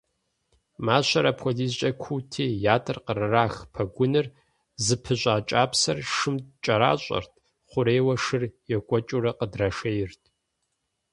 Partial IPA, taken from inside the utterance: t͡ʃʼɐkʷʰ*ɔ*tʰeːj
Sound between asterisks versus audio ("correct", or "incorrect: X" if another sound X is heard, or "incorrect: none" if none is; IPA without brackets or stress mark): incorrect: u